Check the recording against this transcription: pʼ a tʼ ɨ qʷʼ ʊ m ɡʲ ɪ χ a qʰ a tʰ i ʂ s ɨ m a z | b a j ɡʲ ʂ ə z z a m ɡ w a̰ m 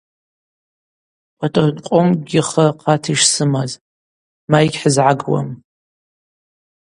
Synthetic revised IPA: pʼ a tʼ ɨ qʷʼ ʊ m ɡʲ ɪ χ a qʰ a tʰ i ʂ s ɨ m a z | m a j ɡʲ ħ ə z ʕ a ɡ w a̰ m

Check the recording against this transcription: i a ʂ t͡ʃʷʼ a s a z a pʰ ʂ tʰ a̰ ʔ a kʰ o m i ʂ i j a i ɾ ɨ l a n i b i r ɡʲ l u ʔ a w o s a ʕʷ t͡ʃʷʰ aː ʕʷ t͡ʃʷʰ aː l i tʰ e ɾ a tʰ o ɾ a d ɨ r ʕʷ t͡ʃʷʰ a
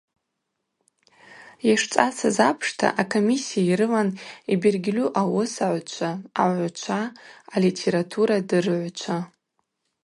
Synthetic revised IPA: j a ʂ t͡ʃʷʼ a s a z a pʰ ʂ tʰ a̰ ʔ a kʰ o m i s i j a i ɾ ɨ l a n i b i r ɡʲ l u ʔ a w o s a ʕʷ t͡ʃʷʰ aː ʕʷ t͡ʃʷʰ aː l i tʰ e ɾ a tʰ u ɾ a d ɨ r ʕʷ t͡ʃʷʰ a

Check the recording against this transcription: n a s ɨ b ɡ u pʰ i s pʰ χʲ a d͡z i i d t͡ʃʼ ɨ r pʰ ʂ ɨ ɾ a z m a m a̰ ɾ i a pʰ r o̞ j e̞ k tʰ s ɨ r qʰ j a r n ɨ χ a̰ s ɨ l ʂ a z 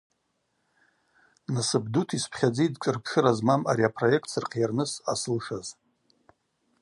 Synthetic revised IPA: n a s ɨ b d u tʰ i s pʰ χʲ a d͡z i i d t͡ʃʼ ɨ r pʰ ʂ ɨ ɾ a z m a m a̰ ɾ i a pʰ r o̞ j e̞ k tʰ s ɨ r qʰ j a r n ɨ s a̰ s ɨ l ʂ a z

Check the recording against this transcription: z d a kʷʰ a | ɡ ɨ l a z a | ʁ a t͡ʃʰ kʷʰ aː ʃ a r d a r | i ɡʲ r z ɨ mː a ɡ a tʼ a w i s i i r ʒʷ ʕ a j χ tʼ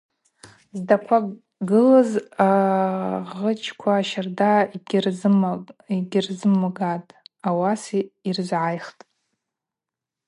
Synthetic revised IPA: z d a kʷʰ a | ɡ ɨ l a z a | ʁ ə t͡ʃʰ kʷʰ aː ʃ a r d a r | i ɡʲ r z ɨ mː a ɡ a tʼ a w a s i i r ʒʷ ʕ a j χ tʼ

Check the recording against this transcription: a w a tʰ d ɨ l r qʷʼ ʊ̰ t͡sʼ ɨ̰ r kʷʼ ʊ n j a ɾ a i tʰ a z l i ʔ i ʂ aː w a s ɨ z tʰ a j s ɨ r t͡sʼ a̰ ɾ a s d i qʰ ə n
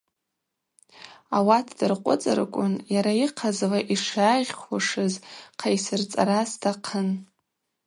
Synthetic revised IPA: a w a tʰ d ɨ r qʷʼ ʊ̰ t͡sʼ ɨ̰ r kʷʼ ʊ n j a ɾ a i qʰ a z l a ʔ i ʂ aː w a ʂ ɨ z qʰ a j s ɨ r t͡sʼ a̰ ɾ a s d a qʰ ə n

